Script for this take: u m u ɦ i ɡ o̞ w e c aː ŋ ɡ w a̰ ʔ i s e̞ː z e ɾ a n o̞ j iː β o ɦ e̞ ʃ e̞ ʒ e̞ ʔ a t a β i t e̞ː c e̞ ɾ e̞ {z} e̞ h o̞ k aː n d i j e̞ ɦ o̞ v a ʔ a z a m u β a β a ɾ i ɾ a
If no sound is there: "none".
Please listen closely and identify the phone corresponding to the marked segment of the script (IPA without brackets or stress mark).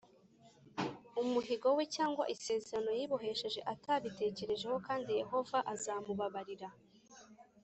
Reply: ʒ